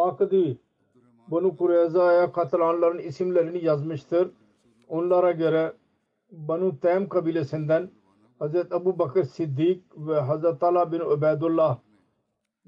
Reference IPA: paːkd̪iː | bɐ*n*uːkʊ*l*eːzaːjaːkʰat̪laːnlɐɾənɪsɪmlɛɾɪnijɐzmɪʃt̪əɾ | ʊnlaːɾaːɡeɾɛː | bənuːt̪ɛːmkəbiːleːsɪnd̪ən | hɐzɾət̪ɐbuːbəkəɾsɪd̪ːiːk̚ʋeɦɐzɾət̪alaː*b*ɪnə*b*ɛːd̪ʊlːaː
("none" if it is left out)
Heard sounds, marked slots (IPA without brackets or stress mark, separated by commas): n, ɾ, b, b